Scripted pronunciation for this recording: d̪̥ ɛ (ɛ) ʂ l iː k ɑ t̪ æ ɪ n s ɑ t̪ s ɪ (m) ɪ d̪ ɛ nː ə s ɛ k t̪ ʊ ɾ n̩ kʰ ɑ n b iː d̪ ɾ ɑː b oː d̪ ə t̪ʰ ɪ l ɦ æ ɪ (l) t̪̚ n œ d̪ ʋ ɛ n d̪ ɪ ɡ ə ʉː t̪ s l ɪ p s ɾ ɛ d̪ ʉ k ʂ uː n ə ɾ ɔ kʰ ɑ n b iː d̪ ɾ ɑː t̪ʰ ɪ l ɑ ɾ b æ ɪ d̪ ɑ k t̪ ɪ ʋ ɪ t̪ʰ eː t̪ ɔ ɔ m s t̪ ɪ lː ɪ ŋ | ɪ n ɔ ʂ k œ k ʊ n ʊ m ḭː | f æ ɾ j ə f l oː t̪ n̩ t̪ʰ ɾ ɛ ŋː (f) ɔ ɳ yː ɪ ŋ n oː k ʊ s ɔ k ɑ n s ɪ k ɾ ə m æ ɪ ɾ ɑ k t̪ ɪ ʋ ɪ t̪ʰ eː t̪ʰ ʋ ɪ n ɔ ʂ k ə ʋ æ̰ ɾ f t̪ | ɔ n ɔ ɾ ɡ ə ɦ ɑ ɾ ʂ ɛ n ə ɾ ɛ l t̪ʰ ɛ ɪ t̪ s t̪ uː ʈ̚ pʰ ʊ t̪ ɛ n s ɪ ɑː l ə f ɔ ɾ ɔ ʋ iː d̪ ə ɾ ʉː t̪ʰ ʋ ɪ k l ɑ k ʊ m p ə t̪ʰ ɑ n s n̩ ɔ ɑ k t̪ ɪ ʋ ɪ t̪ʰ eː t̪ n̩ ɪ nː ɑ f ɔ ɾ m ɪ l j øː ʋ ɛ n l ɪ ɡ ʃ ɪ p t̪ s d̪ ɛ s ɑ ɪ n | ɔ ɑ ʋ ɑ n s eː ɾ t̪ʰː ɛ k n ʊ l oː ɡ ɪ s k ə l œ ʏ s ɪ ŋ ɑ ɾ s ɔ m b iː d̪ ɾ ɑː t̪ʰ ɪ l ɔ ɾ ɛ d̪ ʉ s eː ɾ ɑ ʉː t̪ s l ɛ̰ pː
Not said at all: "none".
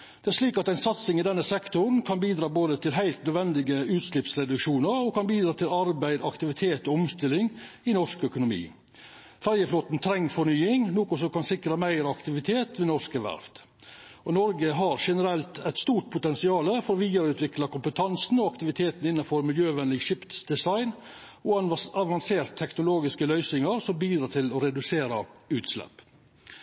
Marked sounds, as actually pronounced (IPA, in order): æ, ŋ, l, f

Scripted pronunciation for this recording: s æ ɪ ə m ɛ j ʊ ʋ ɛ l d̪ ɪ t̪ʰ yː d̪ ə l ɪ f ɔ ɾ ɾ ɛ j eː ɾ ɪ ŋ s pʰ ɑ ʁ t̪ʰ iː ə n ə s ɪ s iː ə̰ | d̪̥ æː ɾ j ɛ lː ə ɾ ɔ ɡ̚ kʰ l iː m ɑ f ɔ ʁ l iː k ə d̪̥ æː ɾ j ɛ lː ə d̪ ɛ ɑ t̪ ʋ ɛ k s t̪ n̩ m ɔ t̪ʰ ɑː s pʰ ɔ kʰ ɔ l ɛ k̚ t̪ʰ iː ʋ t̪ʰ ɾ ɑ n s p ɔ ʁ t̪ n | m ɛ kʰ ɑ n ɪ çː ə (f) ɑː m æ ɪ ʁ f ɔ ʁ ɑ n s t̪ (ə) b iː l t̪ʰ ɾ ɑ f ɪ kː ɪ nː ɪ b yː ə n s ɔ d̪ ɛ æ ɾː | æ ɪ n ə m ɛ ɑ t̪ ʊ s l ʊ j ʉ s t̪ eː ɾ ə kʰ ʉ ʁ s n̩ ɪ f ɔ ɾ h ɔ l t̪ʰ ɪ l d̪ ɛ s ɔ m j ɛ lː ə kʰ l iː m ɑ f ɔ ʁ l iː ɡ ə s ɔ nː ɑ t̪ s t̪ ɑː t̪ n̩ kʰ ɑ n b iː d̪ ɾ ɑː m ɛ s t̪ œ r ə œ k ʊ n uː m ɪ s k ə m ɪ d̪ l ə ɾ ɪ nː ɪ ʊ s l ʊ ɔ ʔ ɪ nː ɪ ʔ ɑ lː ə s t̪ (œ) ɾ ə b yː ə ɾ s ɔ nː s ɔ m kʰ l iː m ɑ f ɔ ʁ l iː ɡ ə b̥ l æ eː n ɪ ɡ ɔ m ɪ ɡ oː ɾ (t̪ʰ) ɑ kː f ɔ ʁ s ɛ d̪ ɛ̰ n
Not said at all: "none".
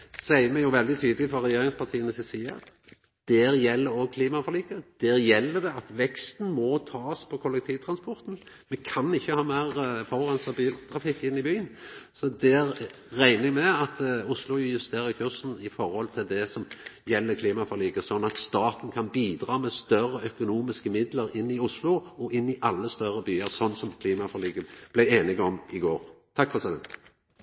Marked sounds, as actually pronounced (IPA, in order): h, ɑ, œ, t̪ʰ

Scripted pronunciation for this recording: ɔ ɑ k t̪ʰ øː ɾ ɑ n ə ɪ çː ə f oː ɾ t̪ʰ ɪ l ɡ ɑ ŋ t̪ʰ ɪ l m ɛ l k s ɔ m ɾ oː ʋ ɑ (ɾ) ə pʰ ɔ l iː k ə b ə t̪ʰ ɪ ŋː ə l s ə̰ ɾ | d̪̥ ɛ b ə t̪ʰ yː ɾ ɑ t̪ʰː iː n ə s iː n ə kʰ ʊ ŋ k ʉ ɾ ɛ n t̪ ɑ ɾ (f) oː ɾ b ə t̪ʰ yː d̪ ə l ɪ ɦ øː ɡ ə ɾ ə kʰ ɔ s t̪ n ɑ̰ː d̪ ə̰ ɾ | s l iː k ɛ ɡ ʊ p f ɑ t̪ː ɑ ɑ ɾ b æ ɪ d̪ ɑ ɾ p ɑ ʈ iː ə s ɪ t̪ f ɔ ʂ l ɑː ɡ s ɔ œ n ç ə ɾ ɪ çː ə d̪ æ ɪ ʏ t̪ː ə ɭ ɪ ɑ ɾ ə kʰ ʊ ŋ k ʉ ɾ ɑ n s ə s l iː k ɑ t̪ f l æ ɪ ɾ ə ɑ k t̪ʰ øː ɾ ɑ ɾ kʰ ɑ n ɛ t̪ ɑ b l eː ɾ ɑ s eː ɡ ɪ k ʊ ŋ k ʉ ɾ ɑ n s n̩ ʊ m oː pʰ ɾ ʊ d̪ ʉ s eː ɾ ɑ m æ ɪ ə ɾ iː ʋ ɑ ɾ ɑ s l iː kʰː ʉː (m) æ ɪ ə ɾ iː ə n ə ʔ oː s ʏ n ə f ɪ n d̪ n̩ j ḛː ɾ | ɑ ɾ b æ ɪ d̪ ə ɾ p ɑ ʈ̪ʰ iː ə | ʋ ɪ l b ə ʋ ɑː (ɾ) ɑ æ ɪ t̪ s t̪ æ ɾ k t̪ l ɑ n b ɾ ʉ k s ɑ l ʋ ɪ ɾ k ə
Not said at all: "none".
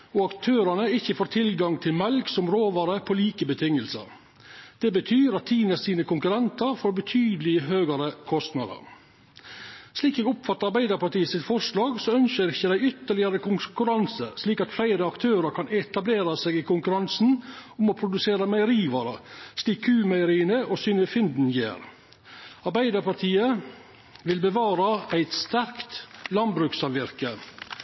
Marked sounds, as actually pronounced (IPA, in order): ɾ, f, m, ɾ

